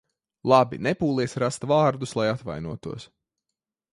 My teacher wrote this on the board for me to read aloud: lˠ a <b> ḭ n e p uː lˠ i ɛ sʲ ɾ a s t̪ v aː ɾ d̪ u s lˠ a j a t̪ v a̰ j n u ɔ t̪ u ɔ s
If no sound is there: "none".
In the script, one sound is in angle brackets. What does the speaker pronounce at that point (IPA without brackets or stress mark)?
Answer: b